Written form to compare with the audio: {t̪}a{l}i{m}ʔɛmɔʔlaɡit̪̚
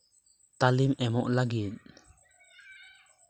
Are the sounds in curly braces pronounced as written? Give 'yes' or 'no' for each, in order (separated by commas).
yes, yes, yes